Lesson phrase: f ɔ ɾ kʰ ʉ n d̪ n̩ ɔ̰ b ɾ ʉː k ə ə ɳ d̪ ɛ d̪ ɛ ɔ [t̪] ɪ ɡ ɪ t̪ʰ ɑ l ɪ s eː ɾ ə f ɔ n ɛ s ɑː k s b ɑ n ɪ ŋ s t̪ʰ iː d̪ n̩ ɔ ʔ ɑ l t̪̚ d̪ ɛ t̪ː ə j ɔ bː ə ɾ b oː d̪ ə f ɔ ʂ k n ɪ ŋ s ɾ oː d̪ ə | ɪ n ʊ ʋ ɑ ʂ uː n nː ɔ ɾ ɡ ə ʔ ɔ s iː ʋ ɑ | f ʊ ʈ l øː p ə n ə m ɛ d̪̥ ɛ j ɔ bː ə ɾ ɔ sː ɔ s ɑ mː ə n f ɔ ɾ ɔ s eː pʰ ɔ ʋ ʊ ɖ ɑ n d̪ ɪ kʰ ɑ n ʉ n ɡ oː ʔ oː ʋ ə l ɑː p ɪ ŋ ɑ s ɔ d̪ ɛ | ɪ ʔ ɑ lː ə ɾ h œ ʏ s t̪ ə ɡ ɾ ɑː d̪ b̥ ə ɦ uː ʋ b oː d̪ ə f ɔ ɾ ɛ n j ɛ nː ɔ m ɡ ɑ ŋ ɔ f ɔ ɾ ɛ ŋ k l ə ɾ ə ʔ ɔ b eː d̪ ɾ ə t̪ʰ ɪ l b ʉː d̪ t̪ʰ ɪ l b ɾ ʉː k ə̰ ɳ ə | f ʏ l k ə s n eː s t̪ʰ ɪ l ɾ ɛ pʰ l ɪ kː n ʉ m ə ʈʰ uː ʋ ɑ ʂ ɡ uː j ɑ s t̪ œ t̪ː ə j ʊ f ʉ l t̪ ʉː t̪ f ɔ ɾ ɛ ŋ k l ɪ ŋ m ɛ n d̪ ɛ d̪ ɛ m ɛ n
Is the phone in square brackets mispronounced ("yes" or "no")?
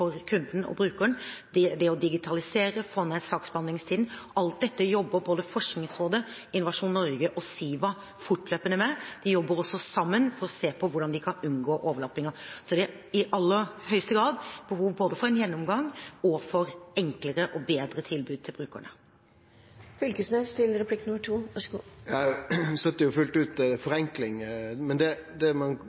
yes